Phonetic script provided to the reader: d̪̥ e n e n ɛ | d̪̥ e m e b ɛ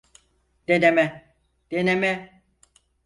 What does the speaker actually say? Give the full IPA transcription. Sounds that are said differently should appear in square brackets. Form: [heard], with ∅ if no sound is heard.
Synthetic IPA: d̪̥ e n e [m] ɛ | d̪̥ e [n] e [m] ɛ